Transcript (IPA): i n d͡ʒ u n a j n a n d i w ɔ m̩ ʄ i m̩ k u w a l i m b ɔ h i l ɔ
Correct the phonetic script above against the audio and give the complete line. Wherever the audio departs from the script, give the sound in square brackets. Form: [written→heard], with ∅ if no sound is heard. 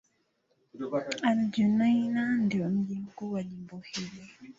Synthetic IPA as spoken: [i→a] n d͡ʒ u n a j n a n d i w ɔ m̩ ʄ i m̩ k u w a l i m b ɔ h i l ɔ